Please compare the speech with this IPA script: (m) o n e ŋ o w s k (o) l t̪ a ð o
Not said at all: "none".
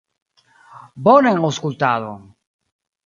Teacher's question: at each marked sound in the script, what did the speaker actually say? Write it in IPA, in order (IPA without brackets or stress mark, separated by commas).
b, u